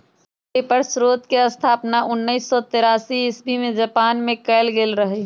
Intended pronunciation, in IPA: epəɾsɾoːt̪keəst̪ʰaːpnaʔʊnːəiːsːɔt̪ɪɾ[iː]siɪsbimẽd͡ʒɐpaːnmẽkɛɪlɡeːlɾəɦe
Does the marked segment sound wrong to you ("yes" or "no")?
yes